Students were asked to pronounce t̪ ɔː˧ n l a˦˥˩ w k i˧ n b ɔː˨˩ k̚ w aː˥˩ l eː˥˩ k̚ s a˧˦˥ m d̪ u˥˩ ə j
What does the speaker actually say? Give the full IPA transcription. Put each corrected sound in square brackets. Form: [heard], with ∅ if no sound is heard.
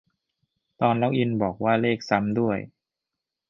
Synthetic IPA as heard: t̪ ɔː˧ n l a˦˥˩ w [ʔ] i˧ n b ɔː˨˩ k̚ w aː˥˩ l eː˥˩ k̚ s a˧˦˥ m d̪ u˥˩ ə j